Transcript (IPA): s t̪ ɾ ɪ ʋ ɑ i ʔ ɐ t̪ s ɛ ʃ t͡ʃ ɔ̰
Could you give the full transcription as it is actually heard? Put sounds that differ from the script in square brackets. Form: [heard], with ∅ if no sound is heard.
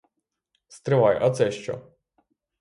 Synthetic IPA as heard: s t̪ ɾ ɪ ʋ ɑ [j] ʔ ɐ t̪ s ɛ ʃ t͡ʃ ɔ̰